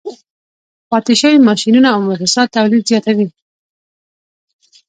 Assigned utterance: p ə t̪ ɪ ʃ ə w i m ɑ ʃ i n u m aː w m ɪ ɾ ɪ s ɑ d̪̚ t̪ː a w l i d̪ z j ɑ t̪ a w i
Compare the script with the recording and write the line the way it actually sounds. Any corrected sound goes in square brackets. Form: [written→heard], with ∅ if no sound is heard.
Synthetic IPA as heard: p [ə→ɑ] t̪ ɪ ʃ ə w i m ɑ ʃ i n u [m→n] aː w m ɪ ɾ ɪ s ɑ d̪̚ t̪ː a w l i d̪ z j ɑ t̪ a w i